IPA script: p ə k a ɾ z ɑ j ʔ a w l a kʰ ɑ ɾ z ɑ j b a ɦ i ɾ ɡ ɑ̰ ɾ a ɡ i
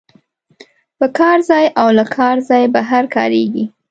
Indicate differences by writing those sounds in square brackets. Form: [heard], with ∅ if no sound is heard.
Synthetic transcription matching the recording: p ə k [ɑ] ɾ z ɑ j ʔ a w l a kʰ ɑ ɾ z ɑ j b a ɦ [a] ɾ [k] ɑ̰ ɾ [e] ɡ i